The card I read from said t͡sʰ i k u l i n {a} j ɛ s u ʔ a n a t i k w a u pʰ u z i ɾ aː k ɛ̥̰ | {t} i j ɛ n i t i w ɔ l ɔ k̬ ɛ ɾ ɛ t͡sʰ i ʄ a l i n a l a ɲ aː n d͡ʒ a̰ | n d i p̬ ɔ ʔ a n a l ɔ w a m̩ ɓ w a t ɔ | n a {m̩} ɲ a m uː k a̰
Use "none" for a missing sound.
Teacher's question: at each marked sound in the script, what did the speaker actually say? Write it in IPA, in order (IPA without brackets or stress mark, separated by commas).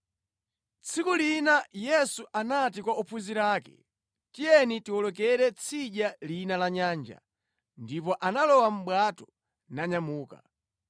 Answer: a, t, none